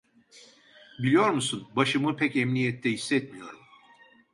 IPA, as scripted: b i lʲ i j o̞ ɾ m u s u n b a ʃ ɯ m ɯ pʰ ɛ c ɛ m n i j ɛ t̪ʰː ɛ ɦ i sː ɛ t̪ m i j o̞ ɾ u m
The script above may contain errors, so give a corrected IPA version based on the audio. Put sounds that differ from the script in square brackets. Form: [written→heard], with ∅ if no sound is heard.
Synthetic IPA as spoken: b i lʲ i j o̞ ɾ m u s u n b a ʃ ɯ m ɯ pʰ ɛ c ɛ m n i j ɛ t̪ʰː ɛ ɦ i sː ɛ t̪ m i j o̞ ɾ u m